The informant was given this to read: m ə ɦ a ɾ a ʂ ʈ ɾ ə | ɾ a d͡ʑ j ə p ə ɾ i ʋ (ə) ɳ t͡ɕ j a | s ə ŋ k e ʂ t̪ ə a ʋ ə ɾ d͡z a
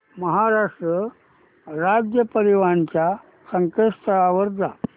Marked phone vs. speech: incorrect: a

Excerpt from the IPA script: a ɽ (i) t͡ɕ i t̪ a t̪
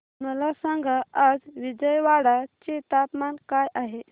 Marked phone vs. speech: incorrect: a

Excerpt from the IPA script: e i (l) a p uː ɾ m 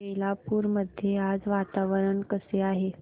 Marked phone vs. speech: correct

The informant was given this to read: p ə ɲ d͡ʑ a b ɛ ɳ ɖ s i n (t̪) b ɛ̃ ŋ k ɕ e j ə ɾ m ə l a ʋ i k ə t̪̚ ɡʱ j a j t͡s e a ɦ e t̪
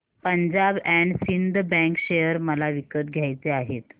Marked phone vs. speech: incorrect: d̪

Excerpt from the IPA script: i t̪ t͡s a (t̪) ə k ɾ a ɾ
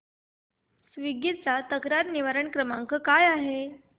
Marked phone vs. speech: correct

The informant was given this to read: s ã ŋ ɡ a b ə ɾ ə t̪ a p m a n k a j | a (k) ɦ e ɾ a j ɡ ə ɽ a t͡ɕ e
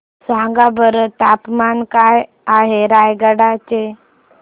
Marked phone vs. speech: incorrect: none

